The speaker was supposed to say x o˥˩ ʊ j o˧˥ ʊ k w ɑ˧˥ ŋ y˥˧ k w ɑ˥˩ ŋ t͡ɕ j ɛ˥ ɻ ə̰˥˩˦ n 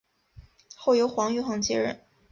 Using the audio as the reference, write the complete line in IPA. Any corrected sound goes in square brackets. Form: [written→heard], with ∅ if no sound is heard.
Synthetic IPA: x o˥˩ ʊ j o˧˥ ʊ [k→x] w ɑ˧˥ ŋ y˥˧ [k→x] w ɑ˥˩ ŋ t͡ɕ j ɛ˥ ɻ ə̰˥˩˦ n

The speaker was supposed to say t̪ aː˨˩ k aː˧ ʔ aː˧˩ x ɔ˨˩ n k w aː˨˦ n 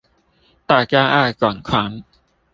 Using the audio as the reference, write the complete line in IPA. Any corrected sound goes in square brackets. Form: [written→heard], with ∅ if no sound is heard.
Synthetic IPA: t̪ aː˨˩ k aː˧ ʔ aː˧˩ [x→k] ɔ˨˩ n [k→kʰ] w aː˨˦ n

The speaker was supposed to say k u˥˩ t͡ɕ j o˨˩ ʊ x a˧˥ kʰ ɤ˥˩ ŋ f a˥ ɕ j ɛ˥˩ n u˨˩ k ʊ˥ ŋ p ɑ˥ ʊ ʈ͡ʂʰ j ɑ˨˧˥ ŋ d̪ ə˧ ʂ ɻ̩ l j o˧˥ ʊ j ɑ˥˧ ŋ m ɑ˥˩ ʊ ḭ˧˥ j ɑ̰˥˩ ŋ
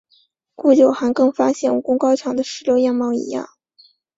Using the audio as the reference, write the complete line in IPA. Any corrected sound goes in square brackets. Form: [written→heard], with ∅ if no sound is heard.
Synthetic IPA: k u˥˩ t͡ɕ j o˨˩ ʊ x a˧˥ [kʰ→k] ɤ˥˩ ŋ f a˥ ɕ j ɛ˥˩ n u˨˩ k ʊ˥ ŋ [p→k] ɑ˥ ʊ ʈ͡ʂʰ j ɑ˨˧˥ ŋ d̪ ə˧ ʂ ɻ̩ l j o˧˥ ʊ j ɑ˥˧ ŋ m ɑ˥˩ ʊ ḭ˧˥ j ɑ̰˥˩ ŋ

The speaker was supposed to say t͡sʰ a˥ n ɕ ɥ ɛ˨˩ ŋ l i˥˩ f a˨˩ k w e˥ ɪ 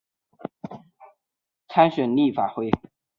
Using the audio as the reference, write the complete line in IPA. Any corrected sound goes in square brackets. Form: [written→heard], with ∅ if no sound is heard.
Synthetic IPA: t͡sʰ a˥ n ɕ ɥ ɛ˨˩ [ŋ→n] l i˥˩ f a˨˩ [k→x] w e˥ ɪ

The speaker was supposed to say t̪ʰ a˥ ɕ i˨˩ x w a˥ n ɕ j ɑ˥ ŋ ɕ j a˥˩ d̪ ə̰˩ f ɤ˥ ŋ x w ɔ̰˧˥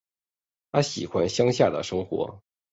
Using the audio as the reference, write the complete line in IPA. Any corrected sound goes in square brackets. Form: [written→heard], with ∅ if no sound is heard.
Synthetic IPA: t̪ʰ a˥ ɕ i˨˩ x w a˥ n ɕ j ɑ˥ ŋ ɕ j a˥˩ d̪ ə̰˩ [f→ʂ] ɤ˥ ŋ x w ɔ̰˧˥

